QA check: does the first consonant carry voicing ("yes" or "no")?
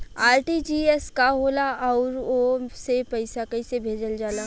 yes